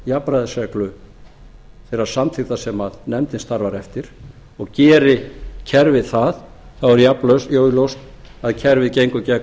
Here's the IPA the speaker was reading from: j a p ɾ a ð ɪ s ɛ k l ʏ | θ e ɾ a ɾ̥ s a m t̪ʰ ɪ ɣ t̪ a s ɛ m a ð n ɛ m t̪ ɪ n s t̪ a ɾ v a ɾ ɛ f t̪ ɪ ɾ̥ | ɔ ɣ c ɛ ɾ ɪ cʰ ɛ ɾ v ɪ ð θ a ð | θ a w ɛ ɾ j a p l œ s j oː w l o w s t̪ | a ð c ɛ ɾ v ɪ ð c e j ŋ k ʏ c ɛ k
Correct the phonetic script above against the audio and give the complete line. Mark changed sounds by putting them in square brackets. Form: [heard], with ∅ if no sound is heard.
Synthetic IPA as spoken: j a p ɾ a ð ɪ s ɛ k l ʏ | θ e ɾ a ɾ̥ s a m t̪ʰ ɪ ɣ t̪ a s ɛ m a ð n ɛ m t̪ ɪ n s t̪ a ɾ v a ɾ ɛ f t̪ ɪ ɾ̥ | ɔ ɣ c [ɛː] ɾ ɪ cʰ ɛ ɾ v ɪ ð θ a ð | θ a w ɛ ɾ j a p l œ s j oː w l o w s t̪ | a ð [cʰ] ɛ ɾ v ɪ ð c e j ŋ k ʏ c ɛ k